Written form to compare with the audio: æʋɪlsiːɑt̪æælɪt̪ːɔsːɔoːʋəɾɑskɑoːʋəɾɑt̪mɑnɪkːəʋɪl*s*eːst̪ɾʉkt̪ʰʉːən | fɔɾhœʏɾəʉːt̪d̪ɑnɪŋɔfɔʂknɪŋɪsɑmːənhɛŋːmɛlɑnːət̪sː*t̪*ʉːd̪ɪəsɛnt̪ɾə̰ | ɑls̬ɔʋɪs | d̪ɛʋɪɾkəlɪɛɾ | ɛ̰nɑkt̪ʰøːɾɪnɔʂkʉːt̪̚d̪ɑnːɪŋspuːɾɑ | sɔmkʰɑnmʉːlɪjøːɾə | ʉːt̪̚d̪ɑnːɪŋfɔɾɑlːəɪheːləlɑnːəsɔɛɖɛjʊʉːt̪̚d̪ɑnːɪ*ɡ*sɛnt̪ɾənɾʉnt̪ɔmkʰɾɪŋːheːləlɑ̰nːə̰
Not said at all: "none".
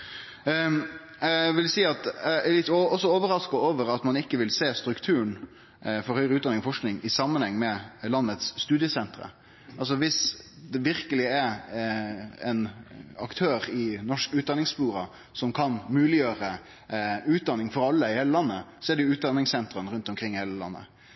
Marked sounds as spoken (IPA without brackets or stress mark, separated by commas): s, t̪, ŋ